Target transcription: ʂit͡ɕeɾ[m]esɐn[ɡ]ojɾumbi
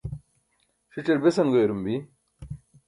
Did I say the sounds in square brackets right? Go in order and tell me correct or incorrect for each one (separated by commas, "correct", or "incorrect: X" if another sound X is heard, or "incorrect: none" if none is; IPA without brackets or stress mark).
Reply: incorrect: b, correct